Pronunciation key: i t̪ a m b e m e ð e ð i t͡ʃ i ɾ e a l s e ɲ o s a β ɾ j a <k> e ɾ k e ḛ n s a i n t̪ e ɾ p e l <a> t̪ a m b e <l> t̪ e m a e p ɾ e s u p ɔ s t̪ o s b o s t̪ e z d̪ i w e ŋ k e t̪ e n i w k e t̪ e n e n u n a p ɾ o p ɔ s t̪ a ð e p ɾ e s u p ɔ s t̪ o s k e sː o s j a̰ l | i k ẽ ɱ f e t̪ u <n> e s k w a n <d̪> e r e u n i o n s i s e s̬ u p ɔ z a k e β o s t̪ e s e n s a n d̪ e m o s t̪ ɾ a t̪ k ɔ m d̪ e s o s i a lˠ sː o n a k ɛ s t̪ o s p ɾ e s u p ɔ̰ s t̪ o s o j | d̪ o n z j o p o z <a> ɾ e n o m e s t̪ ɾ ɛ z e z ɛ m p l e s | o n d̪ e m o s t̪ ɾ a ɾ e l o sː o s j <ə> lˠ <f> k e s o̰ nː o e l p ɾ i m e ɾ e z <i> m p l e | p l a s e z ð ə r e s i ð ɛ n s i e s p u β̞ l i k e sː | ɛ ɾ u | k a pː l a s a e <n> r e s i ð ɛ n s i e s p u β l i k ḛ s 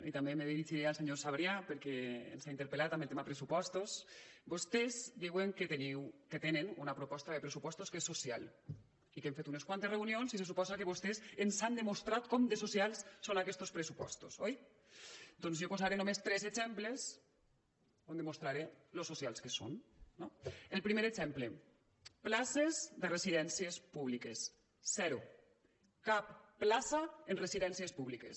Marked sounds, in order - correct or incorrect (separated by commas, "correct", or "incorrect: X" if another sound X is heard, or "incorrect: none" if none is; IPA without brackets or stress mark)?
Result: incorrect: p, correct, correct, correct, incorrect: t̪, correct, incorrect: a, incorrect: s, incorrect: ɛ, correct